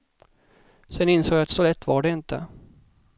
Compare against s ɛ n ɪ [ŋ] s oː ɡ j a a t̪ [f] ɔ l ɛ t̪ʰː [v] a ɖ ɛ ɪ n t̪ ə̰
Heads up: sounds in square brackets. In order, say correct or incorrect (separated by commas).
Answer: incorrect, incorrect, correct